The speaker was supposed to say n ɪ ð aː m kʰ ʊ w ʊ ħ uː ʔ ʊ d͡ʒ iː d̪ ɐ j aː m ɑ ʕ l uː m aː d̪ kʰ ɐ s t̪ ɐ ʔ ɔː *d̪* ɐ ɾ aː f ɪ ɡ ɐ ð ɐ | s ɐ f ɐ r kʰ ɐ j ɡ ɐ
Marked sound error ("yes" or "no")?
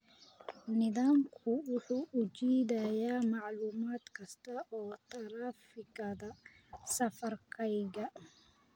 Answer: yes